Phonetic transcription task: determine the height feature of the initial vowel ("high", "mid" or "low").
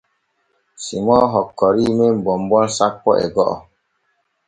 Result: high